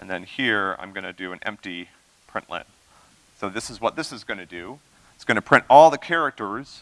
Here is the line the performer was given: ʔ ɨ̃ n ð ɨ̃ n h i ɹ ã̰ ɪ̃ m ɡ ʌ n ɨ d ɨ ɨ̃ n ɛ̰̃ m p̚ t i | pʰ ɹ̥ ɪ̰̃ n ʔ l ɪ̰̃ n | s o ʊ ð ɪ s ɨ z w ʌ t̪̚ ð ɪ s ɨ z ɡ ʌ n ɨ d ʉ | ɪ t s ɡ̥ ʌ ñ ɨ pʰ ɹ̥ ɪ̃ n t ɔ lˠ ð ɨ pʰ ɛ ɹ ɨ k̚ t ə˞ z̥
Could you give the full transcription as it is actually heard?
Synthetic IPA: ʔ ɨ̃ n ð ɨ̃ n h i ɹ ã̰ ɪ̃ m ɡ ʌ n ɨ d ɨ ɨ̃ n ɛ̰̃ m p̚ t i | pʰ ɹ̥ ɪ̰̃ n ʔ l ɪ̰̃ n | s o ʊ ð ɪ s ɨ z w ʌ t̪̚ ð ɪ s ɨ z ɡ ʌ n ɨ d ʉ | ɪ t s ɡ̥ ʌ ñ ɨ pʰ ɹ̥ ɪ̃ n t ɔ lˠ ð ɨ kʰ ɛ ɹ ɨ k̚ t ə˞ z̥